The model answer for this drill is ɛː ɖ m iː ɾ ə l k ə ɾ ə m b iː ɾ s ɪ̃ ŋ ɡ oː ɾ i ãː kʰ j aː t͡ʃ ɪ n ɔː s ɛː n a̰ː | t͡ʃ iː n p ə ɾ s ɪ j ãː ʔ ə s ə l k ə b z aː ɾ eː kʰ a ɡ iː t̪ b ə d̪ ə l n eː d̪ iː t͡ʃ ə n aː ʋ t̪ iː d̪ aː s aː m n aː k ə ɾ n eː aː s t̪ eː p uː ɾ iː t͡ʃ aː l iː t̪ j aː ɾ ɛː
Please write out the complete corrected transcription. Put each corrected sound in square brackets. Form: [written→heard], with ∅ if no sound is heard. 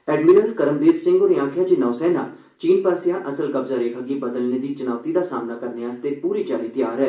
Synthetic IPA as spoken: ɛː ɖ m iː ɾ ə l k ə ɾ ə m b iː ɾ s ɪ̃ ŋ ɡ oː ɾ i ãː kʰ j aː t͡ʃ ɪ n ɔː s ɛː n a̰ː | t͡ʃ iː n p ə ɾ s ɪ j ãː ʔ ə s ə l k ə b z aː ɾ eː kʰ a ɡ iː [t̪→∅] b ə d̪ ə l n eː d̪ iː t͡ʃ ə n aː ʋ t̪ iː d̪ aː s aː m n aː k ə ɾ n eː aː s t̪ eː p uː ɾ iː t͡ʃ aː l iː t̪ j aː ɾ ɛː